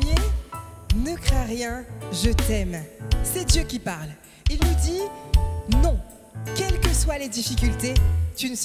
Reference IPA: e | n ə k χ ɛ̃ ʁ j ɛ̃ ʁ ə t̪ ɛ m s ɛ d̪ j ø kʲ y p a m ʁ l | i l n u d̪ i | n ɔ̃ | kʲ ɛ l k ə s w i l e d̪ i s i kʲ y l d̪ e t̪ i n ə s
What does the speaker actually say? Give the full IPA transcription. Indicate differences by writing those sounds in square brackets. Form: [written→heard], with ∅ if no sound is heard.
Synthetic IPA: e | n ə k χ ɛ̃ ʁ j ɛ̃ [ʁ→ʒ] ə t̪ ɛ m s ɛ d̪ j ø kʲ [y→i] p a [m→∅] ʁ l | i l n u d̪ i | n ɔ̃ | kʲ ɛ l k ə s w [i→a] l e d̪ i [s→f] i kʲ y l [d̪→t̪] e t̪ [i→y] n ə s